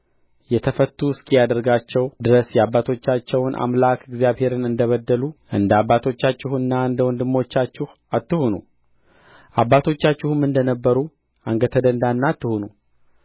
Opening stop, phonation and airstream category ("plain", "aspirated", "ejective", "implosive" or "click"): aspirated